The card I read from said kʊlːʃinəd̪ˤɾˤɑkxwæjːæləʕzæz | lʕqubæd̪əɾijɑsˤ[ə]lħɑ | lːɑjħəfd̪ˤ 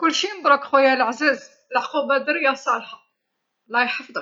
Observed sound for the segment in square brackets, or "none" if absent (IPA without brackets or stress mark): ɑ